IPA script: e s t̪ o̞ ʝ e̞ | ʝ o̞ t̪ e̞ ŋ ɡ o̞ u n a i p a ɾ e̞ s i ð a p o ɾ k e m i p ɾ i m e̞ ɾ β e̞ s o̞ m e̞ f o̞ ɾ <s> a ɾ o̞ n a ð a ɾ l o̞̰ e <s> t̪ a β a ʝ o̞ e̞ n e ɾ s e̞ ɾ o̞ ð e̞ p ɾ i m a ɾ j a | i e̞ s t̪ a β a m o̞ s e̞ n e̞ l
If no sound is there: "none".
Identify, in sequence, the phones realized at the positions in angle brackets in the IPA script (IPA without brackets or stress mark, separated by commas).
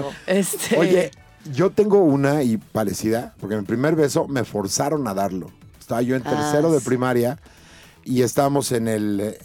s, s